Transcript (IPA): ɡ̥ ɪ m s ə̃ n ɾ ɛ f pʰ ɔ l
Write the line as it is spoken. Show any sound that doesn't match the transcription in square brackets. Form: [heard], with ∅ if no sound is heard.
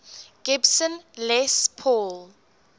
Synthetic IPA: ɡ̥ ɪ [b] s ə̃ n [l] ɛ [s] pʰ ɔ l